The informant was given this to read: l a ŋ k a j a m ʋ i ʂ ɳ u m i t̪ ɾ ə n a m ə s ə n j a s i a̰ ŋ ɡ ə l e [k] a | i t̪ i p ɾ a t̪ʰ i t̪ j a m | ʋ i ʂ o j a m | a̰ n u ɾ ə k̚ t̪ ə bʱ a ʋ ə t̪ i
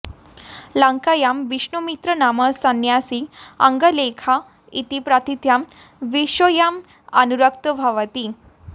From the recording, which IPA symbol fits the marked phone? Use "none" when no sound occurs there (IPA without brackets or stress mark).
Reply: kʰ